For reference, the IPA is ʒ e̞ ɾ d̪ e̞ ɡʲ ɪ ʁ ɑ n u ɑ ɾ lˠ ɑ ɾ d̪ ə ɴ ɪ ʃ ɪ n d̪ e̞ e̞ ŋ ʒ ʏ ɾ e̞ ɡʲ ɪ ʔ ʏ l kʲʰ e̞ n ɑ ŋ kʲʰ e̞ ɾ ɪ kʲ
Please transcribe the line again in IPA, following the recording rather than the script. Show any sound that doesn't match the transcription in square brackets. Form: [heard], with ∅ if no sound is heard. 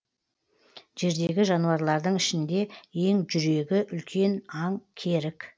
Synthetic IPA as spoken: ʒ e̞ ɾ d̪ e̞ ɡʲ ɪ [ʒ] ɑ n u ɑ ɾ lˠ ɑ ɾ d̪ ə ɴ ɪ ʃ ɪ n d̪ e̞ e̞ ŋ ʒ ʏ ɾ e̞ ɡʲ ɪ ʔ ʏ l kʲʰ e̞ n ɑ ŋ kʲʰ e̞ ɾ ɪ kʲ

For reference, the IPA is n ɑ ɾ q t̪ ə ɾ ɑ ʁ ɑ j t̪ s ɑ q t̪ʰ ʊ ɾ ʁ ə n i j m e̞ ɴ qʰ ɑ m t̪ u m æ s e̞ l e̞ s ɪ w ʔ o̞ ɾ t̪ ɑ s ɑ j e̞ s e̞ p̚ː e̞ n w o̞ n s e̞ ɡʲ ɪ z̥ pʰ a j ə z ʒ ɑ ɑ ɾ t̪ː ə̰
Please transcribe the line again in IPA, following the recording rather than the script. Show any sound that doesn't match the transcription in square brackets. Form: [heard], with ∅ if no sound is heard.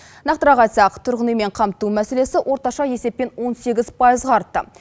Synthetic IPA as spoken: n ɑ [∅] q t̪ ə ɾ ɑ ʁ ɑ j t̪ s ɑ q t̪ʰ ʊ ɾ ʁ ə n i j m e̞ ɴ qʰ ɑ m t̪ u m æ s e̞ l e̞ s ɪ w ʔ o̞ ɾ t̪ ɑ [ʃ] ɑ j e̞ s e̞ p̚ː e̞ n w o̞ n s e̞ ɡʲ ɪ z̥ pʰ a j ə z [ʁ] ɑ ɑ ɾ t̪ː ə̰

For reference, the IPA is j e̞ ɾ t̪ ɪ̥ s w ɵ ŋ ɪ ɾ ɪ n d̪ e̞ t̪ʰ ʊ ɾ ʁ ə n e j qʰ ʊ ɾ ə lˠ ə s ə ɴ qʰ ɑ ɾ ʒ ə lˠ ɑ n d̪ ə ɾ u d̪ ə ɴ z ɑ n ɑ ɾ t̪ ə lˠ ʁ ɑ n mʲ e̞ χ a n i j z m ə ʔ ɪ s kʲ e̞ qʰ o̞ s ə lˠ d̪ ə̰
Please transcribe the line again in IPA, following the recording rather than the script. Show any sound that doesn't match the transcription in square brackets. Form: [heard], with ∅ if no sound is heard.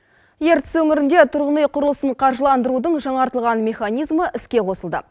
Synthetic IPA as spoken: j e̞ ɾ t̪ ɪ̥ s w ɵ ŋ ɪ ɾ ɪ n d̪ e̞ t̪ʰ ʊ ɾ ʁ ə n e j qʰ ʊ ɾ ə lˠ ə s ə ɴ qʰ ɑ ɾ ʒ ə lˠ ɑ n d̪ ə ɾ u d̪ ə ɴ [ʒ] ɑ [ɴ] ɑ ɾ t̪ ə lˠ ʁ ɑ n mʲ e̞ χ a n i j z m ə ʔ ɪ s kʲ e̞ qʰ o̞ s ə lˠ d̪ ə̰

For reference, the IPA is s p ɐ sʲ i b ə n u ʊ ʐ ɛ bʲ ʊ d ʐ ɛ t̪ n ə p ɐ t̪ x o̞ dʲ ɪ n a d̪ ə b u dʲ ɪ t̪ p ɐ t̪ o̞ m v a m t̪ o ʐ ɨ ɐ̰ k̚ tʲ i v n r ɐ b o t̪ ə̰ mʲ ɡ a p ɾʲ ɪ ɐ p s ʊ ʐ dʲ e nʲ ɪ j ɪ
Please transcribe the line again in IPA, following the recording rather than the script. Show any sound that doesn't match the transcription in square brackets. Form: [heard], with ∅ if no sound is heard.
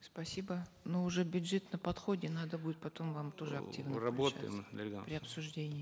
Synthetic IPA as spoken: s p ɐ sʲ i b ə n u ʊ ʐ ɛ bʲ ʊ d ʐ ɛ t̪ n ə p ɐ t̪ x o̞ dʲ ɪ n a d̪ ə b u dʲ ɪ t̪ p ɐ t̪ o̞ m v a m t̪ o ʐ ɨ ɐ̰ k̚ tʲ i v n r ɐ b o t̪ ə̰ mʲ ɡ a p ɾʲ ɪ ɐ p s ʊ ʐ dʲ e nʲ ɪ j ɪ

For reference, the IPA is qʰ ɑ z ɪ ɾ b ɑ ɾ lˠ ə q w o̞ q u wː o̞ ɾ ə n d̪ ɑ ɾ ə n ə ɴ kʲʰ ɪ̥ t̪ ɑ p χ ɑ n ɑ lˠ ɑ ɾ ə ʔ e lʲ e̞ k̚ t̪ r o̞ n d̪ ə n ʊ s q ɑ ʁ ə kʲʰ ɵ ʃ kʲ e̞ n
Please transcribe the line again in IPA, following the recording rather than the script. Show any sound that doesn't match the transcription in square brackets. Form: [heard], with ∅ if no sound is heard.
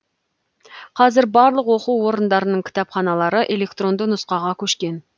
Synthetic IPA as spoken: qʰ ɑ z ɪ ɾ b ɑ ɾ lˠ ə q w o̞ q u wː o̞ ɾ ə n d̪ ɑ ɾ ə n ə ɴ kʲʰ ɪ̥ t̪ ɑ p χ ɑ n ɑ lˠ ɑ ɾ ə ʔ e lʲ e̞ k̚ t̪ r o̞ n d̪ ə n ʊ s q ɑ ʁ [ɑ] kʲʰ ɵ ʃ kʲ e̞ n

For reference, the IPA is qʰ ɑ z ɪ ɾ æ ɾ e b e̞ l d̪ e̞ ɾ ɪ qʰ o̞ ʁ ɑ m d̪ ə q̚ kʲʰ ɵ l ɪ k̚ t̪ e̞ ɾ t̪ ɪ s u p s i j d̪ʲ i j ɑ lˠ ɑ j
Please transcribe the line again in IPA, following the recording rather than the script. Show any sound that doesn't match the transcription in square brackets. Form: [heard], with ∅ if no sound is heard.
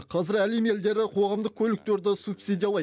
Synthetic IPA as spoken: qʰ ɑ z ɪ ɾ æ [l] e [m] e̞ l d̪ e̞ ɾ ɪ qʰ o̞ ʁ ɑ m d̪ ə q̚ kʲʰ ɵ l ɪ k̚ t̪ e̞ ɾ [d̪] ɪ s u p s i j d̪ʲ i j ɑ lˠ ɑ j

